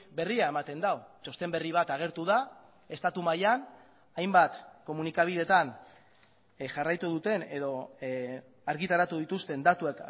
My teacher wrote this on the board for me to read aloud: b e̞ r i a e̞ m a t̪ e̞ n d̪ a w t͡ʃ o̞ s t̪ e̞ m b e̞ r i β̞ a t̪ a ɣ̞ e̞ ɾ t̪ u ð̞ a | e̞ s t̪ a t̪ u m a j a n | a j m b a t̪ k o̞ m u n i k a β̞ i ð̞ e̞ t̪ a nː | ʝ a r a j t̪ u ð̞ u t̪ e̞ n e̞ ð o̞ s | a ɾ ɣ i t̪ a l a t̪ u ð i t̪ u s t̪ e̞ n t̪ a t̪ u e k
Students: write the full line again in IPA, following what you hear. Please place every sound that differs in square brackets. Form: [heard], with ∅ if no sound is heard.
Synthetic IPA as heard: b e̞ r i a e̞ m a t̪ e̞ n d̪ a w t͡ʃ o̞ s t̪ e̞ m b e̞ r i β̞ a t̪ a ɣ̞ e̞ ɾ t̪ u ð̞ a | e̞ s t̪ a t̪ u m a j a n | a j m b a t̪ k o̞ m u n i k a β̞ i ð̞ e̞ t̪ a [n] | ʝ a r a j t̪ u ð̞ u t̪ e̞ n e̞ ð o̞ [∅] | a ɾ ɣ i t̪ a [ɾ] a t̪ u ð i t̪ u s t̪ e̞ n [d̪] a t̪ u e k